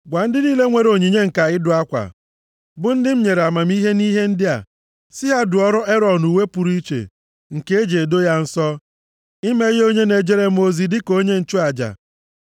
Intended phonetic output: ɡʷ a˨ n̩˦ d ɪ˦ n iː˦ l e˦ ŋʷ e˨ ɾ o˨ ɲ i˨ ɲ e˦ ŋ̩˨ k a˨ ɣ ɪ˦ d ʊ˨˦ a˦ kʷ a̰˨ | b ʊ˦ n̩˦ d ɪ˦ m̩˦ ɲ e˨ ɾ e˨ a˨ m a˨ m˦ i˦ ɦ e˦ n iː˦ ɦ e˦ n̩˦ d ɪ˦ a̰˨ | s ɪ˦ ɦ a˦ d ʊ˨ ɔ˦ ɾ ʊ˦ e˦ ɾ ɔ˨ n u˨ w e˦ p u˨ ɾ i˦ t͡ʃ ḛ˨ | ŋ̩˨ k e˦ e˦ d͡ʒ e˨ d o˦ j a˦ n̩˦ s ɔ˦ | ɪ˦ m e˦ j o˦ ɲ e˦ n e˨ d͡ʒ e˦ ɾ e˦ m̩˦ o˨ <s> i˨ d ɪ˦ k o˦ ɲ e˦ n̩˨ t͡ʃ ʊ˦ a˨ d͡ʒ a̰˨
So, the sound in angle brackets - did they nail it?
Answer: no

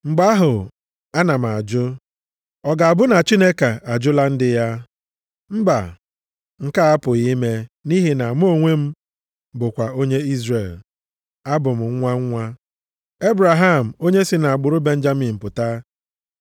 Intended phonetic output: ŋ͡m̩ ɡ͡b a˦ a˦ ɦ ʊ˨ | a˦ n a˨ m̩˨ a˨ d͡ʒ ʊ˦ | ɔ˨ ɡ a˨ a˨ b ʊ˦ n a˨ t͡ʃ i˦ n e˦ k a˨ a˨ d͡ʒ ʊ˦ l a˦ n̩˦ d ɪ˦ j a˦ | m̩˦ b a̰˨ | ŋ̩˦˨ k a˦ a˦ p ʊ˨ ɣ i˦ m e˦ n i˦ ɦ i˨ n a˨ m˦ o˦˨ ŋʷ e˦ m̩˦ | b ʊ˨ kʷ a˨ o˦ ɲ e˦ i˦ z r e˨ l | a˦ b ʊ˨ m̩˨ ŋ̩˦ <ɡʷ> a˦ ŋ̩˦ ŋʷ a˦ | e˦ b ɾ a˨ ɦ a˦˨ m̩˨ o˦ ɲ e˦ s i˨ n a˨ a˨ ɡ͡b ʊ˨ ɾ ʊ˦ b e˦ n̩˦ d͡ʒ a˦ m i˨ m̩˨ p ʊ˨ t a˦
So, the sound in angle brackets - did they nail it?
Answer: no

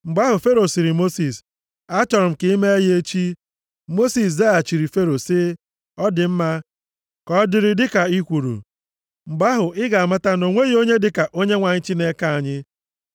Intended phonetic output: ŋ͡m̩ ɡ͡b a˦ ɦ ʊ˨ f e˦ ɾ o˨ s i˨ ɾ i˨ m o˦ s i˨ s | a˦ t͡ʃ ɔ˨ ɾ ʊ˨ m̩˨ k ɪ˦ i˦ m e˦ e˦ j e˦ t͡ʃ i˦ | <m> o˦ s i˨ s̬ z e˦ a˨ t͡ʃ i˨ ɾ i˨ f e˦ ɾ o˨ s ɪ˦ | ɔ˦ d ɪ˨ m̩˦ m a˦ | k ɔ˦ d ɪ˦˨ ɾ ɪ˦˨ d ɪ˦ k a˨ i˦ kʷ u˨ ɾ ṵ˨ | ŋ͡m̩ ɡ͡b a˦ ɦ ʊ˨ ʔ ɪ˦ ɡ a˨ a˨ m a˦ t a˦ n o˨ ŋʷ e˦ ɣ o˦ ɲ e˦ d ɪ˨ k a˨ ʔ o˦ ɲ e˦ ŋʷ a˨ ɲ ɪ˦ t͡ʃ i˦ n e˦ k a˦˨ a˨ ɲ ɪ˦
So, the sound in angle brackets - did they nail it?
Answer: yes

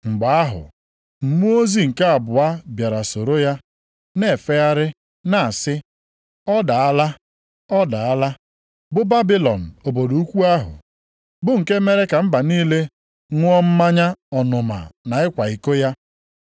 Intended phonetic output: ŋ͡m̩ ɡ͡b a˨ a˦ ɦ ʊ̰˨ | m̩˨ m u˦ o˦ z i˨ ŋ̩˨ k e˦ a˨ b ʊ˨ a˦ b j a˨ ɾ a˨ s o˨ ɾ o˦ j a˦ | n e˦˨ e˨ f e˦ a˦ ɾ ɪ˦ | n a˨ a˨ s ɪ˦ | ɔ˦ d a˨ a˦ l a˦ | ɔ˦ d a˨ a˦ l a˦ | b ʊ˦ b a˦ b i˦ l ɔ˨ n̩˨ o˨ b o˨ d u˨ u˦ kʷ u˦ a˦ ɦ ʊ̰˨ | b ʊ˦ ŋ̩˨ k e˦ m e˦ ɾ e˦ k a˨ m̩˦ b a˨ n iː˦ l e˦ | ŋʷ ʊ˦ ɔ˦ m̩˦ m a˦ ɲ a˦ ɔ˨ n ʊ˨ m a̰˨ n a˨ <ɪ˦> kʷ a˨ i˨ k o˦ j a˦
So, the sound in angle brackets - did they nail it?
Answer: yes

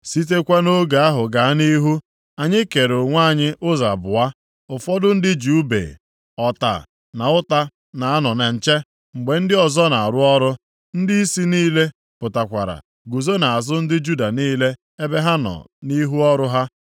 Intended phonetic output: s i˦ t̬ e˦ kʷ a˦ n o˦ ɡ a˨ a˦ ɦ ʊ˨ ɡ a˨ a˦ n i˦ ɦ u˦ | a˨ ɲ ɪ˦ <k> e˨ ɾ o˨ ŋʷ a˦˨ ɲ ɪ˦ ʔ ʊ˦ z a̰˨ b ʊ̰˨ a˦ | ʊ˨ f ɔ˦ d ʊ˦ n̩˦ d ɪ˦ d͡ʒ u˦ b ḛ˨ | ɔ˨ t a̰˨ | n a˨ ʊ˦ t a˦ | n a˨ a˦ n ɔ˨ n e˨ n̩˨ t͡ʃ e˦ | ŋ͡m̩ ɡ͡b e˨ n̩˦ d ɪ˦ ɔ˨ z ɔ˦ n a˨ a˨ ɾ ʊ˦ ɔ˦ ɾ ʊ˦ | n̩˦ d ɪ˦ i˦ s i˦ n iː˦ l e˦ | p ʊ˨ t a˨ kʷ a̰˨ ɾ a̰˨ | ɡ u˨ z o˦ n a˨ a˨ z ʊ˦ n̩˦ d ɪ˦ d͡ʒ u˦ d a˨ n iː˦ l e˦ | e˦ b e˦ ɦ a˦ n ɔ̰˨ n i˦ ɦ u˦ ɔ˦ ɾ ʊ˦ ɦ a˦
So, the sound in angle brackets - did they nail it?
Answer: yes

